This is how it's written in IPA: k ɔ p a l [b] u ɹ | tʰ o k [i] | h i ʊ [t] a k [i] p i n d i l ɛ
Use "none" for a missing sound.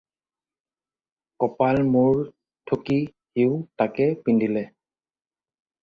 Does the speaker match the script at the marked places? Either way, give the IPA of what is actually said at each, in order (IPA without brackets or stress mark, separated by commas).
m, i, t, ɛ